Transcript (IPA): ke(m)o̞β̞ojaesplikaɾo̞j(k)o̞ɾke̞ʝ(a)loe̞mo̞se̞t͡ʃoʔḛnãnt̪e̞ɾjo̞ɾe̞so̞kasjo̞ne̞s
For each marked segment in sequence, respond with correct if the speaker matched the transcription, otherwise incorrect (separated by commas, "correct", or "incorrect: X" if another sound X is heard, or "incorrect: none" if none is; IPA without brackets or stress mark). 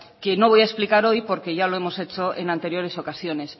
incorrect: n, incorrect: p, correct